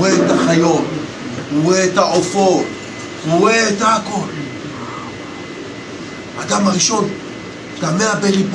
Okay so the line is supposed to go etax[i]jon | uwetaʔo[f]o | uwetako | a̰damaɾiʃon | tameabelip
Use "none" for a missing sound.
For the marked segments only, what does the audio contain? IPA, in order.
a, f

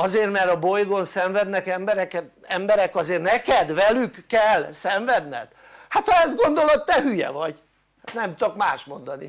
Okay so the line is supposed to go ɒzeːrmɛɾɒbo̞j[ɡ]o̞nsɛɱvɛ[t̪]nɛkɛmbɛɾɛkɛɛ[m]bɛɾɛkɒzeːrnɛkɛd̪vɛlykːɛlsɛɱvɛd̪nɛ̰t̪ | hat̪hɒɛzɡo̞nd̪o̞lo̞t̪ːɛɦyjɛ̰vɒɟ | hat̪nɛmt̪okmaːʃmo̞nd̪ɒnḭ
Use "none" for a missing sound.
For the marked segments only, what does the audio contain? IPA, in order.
ɡ, d̪, m

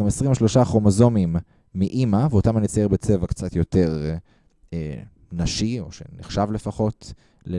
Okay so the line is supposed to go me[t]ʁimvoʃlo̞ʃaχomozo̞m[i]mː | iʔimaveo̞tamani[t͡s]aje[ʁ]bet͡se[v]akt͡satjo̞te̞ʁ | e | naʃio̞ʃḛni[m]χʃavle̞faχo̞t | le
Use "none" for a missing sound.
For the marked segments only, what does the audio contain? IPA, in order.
s, i, t͡s, ʁ, v, none

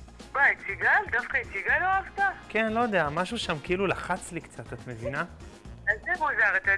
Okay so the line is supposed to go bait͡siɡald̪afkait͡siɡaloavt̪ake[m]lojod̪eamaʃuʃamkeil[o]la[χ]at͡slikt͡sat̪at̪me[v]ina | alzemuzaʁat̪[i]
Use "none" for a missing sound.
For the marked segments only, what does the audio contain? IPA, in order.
n, u, χ, v, a

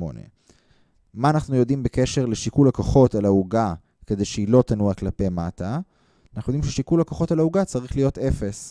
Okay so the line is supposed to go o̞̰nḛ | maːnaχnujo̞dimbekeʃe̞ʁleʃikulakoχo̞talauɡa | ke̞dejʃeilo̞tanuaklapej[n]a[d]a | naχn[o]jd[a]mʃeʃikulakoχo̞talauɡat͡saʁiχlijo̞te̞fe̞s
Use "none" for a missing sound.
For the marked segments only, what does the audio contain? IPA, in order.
m, t, u, i

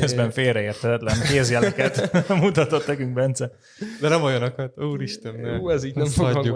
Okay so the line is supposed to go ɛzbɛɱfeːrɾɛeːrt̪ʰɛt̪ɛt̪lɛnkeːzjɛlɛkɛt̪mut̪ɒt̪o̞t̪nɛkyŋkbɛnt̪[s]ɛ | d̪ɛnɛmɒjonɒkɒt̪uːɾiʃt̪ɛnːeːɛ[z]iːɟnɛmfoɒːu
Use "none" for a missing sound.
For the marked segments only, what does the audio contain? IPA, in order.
s, z

